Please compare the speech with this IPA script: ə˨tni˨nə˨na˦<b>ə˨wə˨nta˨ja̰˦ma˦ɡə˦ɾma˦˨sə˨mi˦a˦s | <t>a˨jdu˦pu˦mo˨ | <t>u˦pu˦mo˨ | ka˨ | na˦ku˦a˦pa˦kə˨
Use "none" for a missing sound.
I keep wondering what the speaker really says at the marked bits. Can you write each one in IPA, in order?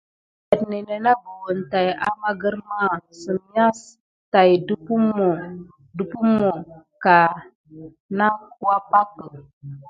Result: b, t, d

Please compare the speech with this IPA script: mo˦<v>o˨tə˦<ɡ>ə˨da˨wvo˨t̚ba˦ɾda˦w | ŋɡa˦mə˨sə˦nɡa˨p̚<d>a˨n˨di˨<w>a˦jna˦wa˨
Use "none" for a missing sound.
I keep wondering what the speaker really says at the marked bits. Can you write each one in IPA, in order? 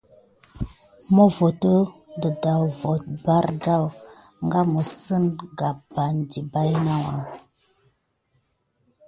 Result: v, d, b, b

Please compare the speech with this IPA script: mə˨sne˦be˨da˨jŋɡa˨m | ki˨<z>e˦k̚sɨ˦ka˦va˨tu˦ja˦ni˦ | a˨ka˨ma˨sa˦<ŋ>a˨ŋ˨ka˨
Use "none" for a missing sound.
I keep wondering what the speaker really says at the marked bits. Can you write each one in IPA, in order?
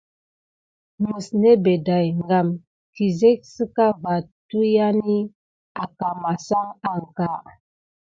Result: z, ŋ

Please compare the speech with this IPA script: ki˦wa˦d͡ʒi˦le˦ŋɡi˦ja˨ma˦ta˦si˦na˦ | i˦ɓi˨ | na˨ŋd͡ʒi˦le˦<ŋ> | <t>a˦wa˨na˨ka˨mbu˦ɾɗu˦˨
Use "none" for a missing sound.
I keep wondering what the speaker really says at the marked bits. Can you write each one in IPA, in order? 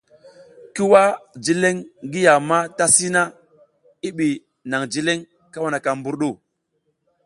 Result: ŋ, k

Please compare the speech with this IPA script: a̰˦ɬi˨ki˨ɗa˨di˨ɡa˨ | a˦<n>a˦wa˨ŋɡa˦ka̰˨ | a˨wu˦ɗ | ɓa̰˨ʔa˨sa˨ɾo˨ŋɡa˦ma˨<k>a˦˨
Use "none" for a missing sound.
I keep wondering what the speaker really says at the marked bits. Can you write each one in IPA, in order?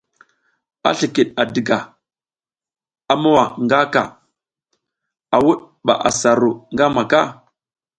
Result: m, k

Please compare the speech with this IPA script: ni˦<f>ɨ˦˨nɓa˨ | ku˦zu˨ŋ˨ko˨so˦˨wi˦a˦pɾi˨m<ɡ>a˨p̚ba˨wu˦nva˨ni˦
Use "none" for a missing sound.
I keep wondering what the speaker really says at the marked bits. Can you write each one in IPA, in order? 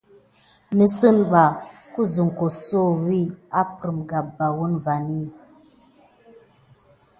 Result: s, ɡ

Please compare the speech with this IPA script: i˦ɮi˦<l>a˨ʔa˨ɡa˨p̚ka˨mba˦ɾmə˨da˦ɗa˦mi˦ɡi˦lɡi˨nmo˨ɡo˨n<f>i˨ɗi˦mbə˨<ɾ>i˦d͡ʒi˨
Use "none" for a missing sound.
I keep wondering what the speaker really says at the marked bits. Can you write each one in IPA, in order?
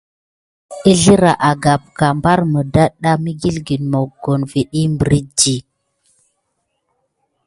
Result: ɾ, v, ɾ

